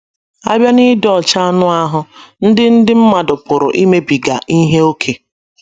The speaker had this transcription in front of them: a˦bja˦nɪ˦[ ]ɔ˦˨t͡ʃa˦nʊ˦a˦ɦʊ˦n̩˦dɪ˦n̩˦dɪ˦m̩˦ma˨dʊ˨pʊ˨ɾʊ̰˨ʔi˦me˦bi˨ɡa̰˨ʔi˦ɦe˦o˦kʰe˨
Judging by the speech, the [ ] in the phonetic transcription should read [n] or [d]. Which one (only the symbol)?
d